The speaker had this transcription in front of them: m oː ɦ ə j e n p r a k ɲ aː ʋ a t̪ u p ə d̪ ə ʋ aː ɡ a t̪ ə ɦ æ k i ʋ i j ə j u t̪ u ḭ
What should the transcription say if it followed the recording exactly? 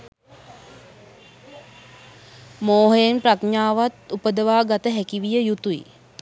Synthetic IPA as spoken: m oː ɦ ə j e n p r a k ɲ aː ʋ a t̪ u p ə d̪ ə ʋ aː ɡ a t̪ ə ɦ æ k i ʋ i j ə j u t̪ u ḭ